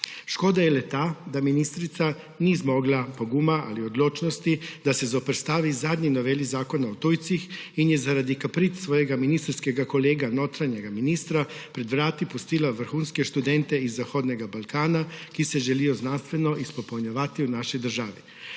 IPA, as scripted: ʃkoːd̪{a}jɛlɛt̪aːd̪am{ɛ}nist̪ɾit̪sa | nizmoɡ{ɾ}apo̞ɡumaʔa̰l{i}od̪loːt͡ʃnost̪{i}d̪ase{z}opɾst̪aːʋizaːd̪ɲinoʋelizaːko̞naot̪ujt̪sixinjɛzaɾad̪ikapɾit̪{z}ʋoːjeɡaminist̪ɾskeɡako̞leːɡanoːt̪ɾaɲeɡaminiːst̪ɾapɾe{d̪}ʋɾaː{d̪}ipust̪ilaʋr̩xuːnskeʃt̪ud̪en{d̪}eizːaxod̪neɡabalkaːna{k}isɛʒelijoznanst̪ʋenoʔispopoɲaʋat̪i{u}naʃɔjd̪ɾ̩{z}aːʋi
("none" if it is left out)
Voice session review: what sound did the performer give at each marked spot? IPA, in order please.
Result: a, i, l, i, i, z, s, d̪, t̪, t̪, k, u, ʒ

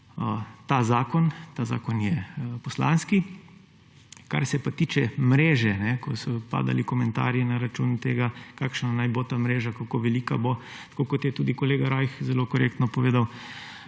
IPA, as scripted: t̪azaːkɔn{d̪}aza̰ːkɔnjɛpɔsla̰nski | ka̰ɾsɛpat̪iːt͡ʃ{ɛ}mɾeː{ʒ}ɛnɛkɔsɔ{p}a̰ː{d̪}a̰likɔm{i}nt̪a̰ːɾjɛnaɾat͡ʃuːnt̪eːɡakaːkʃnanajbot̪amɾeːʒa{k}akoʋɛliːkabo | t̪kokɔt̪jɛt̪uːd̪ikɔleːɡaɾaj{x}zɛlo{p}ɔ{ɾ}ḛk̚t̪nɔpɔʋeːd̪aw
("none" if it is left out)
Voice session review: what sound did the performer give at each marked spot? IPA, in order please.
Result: t̪, ɛ, ʒ, p, d̪, ɛ, k, x, k, ɾ

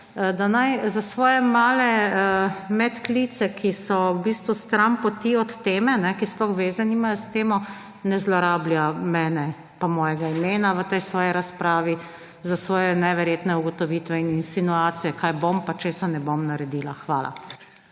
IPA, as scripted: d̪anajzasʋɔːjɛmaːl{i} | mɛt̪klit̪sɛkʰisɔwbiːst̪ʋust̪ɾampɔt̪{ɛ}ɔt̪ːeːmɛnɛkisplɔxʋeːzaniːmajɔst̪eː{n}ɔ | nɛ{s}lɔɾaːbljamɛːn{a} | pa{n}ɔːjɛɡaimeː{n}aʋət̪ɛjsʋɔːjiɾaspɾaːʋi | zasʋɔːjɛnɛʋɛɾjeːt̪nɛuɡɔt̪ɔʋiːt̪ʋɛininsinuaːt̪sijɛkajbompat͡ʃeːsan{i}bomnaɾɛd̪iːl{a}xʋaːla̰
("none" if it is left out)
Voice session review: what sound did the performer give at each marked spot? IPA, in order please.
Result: ɛ, i, m, z, ɛ, m, n, ɛ, a

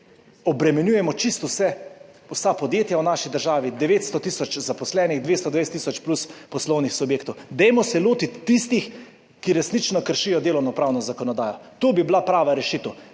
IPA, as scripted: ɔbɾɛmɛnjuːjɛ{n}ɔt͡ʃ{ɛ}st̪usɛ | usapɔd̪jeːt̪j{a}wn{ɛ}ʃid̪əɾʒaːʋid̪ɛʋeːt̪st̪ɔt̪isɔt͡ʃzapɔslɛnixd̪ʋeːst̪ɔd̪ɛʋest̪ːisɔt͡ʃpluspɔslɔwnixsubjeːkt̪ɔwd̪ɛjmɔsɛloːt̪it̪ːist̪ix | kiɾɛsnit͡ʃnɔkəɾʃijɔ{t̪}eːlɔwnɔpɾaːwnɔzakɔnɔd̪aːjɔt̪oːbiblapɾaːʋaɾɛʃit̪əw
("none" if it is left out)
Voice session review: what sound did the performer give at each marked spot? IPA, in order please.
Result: m, i, a, a, d̪

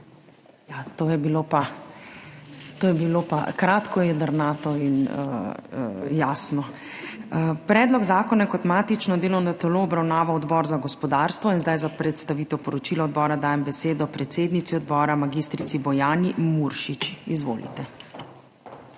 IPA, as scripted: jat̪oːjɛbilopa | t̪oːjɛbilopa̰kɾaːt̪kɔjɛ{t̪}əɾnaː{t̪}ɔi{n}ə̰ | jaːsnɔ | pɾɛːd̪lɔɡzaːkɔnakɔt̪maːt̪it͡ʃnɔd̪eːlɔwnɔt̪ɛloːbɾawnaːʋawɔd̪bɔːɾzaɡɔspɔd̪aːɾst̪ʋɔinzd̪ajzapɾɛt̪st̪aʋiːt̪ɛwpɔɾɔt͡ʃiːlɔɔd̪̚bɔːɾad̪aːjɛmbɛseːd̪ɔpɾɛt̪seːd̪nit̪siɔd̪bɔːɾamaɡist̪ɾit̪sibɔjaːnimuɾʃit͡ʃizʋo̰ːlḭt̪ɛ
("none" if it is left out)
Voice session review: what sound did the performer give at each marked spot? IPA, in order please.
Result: d̪, t̪, n

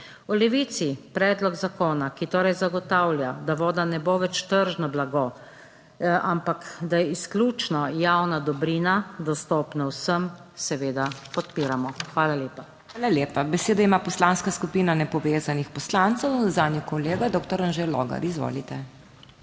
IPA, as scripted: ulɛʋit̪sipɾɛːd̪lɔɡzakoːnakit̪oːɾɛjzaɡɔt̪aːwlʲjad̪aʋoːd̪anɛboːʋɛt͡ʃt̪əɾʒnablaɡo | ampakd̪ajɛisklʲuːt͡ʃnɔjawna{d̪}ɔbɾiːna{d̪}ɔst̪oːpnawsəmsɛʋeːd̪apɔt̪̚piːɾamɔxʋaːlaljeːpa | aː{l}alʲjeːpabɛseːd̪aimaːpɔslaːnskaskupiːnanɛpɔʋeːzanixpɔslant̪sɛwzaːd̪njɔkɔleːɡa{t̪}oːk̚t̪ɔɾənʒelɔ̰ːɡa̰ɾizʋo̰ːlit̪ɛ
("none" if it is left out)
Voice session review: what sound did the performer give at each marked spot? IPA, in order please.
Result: d̪, d̪, l, d̪

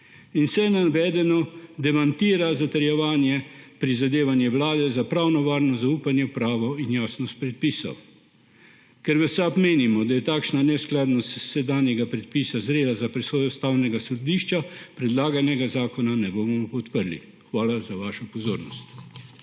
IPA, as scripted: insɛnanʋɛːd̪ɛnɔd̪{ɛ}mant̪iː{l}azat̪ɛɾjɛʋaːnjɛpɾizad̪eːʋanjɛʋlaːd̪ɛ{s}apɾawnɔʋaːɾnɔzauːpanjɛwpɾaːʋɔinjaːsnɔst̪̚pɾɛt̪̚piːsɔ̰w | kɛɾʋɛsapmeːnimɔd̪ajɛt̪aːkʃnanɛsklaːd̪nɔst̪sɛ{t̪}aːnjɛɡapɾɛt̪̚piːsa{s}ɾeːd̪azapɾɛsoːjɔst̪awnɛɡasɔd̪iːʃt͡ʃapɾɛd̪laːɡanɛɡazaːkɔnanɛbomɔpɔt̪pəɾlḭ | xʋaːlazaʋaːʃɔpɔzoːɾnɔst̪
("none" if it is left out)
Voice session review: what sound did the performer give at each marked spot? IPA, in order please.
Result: ɛ, ɾ, z, d̪, z

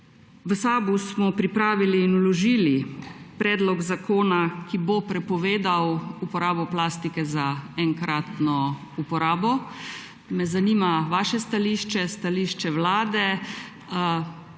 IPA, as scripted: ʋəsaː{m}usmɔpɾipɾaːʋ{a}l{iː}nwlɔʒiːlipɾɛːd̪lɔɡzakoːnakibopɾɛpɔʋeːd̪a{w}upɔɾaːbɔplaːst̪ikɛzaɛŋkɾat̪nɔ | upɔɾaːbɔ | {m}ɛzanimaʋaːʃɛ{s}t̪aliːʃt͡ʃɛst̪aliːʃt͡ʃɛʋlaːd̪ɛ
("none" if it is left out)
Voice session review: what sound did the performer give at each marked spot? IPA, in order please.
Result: b, i, iː, w, m, s

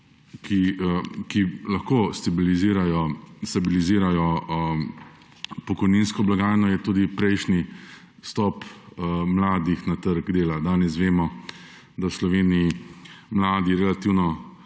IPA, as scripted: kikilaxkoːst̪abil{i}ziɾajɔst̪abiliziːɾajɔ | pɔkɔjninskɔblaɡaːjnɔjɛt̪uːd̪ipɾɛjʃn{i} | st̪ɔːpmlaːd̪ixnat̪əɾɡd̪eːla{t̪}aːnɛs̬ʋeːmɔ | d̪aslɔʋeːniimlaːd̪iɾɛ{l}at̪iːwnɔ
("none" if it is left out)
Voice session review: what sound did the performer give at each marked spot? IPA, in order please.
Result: i, i, d̪, l

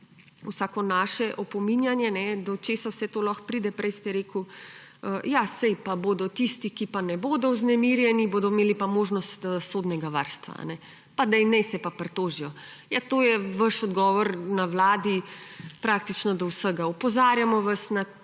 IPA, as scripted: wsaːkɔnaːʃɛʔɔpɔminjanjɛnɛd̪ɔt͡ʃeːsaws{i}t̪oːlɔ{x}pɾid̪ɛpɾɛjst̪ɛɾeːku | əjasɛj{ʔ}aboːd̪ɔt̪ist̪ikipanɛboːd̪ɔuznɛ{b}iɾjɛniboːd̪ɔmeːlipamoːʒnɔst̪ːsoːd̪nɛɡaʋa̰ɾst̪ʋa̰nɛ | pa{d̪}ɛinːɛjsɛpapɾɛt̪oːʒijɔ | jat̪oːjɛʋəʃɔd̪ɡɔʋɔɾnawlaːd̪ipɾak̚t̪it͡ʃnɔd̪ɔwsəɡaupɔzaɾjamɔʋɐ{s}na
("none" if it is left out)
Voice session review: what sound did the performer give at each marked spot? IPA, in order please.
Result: ɛ, x, p, m, d̪, s

